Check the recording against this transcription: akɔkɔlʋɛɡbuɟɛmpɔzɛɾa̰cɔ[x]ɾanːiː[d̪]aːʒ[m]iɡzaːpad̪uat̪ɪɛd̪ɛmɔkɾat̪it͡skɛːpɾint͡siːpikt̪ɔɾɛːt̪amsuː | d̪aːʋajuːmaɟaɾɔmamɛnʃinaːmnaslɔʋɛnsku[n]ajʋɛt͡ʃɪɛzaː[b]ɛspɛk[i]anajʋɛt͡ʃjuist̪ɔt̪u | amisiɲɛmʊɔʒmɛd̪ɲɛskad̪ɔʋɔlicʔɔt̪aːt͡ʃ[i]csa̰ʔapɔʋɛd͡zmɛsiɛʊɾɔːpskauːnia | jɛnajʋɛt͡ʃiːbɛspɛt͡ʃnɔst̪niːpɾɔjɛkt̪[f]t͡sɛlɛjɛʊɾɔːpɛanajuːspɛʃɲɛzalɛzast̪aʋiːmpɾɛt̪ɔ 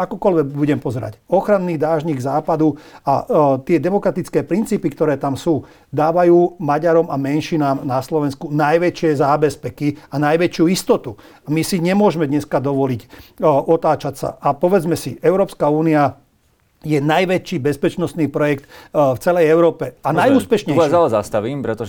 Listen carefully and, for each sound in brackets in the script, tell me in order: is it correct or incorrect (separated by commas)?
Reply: correct, correct, incorrect, correct, correct, correct, incorrect, correct